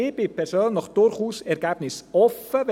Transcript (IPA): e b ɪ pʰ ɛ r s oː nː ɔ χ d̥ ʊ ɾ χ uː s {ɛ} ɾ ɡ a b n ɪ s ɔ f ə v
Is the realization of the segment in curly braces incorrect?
no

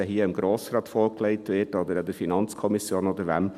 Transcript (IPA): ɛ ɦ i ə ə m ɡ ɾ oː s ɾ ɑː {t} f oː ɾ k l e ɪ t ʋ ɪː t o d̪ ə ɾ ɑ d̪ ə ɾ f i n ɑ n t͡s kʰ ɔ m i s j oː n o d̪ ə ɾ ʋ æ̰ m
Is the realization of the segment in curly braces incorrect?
no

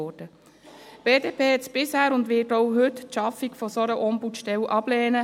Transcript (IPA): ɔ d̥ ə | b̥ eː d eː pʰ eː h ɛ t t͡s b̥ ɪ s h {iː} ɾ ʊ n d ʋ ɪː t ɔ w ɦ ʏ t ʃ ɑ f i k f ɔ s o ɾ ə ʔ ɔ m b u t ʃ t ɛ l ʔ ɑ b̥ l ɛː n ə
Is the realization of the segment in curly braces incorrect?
yes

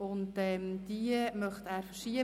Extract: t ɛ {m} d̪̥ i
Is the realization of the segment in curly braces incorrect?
no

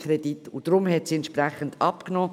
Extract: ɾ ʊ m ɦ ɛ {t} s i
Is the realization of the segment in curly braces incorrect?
no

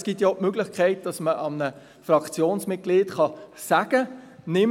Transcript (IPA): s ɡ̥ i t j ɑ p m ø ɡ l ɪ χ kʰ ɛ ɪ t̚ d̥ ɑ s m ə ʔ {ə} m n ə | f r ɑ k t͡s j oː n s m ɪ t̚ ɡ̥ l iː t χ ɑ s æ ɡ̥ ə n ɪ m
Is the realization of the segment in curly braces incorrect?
yes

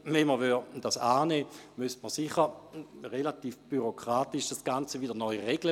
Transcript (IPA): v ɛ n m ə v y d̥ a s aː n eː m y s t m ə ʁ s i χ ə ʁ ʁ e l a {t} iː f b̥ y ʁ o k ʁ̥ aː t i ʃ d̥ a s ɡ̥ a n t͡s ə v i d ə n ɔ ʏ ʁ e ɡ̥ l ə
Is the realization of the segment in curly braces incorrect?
no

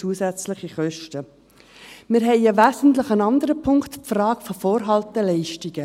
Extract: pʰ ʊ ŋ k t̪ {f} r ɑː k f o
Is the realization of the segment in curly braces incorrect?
no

